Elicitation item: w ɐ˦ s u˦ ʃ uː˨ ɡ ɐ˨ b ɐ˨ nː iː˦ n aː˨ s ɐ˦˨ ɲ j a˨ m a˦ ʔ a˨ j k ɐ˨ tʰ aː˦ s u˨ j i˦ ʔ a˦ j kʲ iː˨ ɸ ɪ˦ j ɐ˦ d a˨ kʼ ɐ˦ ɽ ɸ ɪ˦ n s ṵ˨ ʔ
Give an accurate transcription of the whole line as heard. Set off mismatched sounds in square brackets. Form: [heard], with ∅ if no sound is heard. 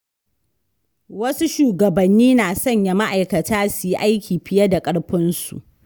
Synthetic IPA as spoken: w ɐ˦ s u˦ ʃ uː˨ ɡ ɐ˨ b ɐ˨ nː iː˦ n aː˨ s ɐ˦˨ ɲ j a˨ m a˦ ʔ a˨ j k ɐ˨ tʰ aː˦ s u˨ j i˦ ʔ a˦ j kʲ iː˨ ɸ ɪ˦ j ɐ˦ d a˨ kʼ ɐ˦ ɽ ɸ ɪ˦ n s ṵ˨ ʔ